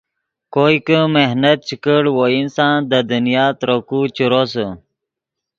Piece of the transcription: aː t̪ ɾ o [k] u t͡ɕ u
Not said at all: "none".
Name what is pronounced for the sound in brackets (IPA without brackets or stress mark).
k